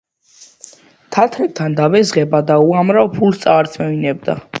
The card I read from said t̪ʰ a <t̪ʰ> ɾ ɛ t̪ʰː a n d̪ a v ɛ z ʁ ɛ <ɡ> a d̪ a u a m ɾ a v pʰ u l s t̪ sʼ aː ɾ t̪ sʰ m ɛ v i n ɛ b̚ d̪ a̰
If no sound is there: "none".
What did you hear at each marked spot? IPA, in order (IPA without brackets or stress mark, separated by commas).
t̪ʰ, b